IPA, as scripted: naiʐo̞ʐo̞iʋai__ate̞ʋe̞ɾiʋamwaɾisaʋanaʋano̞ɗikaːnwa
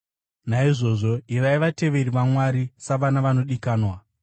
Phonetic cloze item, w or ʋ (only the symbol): ʋ